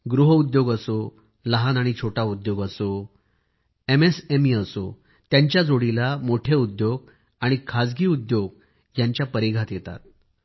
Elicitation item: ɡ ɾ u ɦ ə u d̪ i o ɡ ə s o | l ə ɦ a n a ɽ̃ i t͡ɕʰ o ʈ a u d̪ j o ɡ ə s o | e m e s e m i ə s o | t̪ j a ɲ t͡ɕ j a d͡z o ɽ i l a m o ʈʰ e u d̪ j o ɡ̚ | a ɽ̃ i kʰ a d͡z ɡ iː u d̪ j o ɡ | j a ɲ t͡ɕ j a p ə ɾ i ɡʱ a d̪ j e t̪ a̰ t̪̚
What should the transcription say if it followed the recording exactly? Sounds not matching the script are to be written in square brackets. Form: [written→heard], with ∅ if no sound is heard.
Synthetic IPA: ɡ ɾ u ɦ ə u d̪ [i→j] o ɡ ə s o | l ə ɦ a n a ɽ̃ i t͡ɕʰ o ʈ a u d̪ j o ɡ ə s o | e m e s e m i ə s o | t̪ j a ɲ t͡ɕ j a d͡z o ɽ i l a m o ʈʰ e u d̪ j o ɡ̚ | a ɽ̃ i kʰ a d͡z ɡ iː u d̪ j o ɡ | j a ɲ t͡ɕ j a p ə ɾ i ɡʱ a [d̪→t̪] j e t̪ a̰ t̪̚

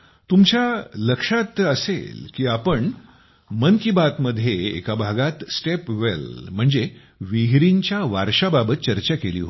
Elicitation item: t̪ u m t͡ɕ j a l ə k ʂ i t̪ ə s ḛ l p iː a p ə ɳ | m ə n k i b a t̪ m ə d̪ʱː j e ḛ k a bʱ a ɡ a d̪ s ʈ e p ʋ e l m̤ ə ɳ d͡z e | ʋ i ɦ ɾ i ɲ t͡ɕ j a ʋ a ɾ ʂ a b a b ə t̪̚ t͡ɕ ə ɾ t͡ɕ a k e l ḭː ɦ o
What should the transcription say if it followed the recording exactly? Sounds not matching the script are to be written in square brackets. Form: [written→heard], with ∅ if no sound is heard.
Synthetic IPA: t̪ u m t͡ɕ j a l ə k ʂ [i→a] t̪ ə s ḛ l [p→k] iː a p ə ɳ | m ə n k i b a t̪ m ə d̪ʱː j e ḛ k a bʱ a ɡ a [d̪→t̪] s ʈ e p ʋ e l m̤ ə ɳ d͡z e | ʋ i ɦ ɾ i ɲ t͡ɕ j a ʋ a ɾ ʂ a b a b ə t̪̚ t͡ɕ ə ɾ t͡ɕ a k e l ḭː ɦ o

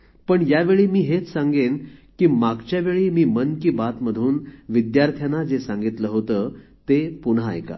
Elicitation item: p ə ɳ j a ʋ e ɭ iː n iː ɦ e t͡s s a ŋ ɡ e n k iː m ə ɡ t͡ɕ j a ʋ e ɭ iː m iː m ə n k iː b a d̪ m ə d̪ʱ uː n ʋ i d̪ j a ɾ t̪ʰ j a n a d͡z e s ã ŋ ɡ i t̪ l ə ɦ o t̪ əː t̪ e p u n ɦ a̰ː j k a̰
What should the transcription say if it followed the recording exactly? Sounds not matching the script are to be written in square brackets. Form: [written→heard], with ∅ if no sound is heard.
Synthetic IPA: p ə ɳ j a ʋ e ɭ iː [n→m] iː ɦ e t͡s s a ŋ ɡ e n k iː m [ə→a] ɡ t͡ɕ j a ʋ e ɭ iː m iː m ə n k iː b a [d̪→t̪] m ə d̪ʱ uː n ʋ i d̪ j a ɾ t̪ʰ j a n a d͡z e s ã ŋ ɡ i t̪ l ə ɦ o t̪ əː t̪ e p u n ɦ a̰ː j k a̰

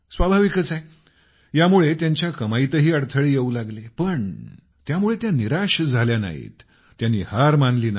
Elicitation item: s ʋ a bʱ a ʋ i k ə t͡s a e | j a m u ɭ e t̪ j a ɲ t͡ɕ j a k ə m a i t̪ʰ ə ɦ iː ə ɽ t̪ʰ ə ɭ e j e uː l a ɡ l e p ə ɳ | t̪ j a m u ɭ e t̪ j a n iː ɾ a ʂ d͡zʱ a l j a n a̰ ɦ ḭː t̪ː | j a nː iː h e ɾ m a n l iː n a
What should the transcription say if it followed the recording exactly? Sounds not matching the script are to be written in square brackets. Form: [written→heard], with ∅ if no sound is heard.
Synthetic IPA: s ʋ a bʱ a ʋ i k ə t͡s a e | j a m u ɭ e t̪ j a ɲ t͡ɕ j a k ə m a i [t̪ʰ→t̪] ə ɦ iː ə ɽ t̪ʰ ə ɭ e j e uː l a ɡ l e p ə ɳ | t̪ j a m u ɭ e t̪ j a n [iː→i] ɾ a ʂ d͡zʱ a l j a n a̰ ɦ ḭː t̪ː | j a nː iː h [e→a] ɾ m a n l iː n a

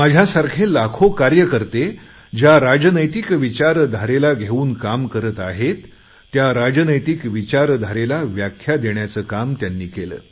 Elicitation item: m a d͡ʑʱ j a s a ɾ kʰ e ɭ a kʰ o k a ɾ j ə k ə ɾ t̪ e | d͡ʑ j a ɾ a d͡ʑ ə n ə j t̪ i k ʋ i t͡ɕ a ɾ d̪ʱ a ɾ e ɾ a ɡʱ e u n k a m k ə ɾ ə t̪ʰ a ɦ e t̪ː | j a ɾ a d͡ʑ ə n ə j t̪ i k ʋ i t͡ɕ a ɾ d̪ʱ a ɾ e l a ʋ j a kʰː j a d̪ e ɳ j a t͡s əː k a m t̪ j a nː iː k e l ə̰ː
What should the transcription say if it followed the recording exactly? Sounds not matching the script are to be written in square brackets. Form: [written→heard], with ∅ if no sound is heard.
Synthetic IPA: m a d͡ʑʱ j a s a ɾ kʰ e [ɭ→l] a kʰ o k a ɾ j ə k ə ɾ t̪ e | d͡ʑ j a ɾ a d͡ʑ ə n ə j t̪ i k ʋ i t͡ɕ a ɾ d̪ʱ a ɾ e [ɾ→l] a ɡʱ e [u→uː] n k a m k ə ɾ ə [t̪ʰ→t̪] a ɦ e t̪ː | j a ɾ a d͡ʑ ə n ə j t̪ i k ʋ i t͡ɕ a ɾ d̪ʱ a ɾ e l a ʋ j a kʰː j a d̪ e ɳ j a t͡s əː k a m t̪ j a nː iː k e l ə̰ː

